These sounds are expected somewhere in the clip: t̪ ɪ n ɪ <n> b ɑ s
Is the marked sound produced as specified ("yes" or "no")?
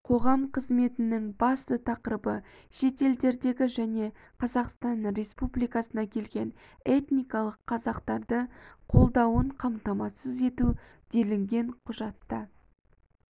no